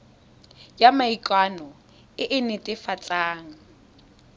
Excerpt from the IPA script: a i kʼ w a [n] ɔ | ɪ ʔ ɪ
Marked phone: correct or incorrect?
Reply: correct